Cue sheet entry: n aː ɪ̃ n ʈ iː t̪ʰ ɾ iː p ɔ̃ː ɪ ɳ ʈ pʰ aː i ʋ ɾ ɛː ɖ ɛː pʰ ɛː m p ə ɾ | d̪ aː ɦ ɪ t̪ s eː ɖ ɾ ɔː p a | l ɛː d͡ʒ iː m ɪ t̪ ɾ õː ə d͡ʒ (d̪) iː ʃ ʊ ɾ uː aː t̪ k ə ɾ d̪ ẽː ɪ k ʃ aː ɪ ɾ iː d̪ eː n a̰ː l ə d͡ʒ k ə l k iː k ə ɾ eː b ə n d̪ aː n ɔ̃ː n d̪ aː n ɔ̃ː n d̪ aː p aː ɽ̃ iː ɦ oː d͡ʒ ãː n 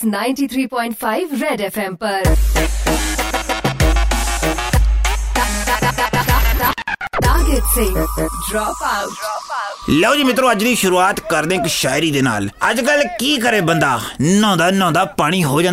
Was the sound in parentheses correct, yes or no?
yes